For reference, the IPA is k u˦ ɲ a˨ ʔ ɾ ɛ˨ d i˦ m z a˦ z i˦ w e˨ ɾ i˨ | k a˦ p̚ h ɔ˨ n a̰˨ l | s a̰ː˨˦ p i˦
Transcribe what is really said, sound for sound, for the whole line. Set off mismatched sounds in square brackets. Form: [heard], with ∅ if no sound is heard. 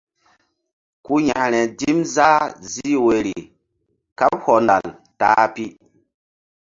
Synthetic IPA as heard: k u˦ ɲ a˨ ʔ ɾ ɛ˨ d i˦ m z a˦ z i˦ w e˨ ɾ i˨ | k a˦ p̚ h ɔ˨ n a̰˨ l | [t] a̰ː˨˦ p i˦